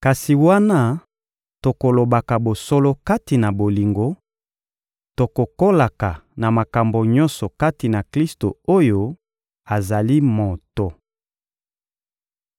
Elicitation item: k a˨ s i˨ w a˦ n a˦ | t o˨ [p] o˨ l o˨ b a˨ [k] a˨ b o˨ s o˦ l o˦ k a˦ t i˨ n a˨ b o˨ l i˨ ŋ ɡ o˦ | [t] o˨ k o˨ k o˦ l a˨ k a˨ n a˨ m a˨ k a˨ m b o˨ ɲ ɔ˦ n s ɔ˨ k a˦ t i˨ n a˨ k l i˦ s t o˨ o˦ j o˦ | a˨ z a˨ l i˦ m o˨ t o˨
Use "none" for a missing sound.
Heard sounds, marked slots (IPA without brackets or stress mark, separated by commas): k, k, t